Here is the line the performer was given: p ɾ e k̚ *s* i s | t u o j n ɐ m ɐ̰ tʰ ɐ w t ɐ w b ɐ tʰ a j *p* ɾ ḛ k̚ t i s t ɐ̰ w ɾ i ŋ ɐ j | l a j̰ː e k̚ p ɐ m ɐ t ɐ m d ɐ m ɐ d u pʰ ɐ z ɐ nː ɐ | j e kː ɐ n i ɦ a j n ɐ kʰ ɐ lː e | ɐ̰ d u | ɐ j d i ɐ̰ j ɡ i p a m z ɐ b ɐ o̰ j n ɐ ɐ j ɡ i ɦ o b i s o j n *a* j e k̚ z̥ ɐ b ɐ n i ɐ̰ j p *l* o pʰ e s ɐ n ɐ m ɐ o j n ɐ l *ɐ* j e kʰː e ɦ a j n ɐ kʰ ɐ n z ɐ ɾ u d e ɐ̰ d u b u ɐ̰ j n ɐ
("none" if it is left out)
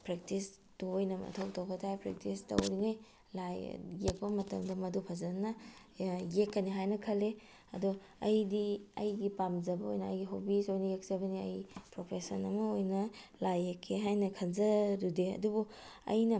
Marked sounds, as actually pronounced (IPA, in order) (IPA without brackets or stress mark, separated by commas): t, p, ɐ, ɾ, a